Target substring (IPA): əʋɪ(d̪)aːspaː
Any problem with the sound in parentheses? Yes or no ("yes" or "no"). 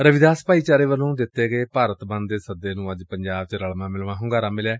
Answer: no